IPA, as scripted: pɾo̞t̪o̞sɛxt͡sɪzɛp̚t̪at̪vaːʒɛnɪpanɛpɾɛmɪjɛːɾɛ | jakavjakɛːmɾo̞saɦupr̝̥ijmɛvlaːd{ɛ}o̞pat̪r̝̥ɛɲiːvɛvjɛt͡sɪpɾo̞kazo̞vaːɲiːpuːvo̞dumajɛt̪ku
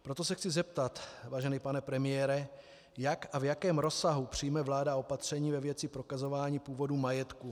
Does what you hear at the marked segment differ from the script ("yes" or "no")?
yes